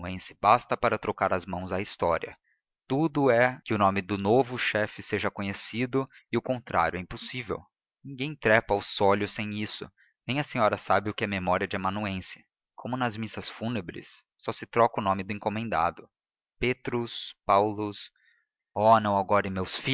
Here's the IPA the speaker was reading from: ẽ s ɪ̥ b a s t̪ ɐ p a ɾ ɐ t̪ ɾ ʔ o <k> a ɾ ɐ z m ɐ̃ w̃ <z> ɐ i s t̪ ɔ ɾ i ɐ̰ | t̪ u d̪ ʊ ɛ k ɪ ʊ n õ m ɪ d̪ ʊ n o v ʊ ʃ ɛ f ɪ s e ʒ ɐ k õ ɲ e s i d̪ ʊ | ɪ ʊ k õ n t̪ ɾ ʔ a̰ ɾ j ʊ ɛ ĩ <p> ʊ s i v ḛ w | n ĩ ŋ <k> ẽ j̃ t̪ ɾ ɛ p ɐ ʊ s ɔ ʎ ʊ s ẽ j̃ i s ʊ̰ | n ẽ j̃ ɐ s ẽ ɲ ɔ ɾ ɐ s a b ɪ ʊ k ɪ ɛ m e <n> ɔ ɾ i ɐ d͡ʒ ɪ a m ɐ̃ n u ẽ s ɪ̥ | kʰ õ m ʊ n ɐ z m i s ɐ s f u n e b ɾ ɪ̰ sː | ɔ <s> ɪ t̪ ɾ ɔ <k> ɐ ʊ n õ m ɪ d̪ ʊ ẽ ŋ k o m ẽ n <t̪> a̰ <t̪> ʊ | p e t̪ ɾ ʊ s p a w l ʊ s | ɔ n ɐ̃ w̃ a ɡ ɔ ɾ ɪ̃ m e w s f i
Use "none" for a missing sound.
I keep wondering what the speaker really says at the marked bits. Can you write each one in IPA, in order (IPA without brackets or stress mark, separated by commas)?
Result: k, z, p, ɡ, m, s, k, d̪, d̪